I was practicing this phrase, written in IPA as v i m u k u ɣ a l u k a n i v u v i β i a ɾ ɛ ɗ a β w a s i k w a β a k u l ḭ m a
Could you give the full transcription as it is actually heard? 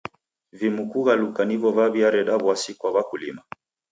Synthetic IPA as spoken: v i m u k u ɣ a l u k a n i v ɔ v a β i a ɾ ɛ ɗ a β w a s i k w a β a k u l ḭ m a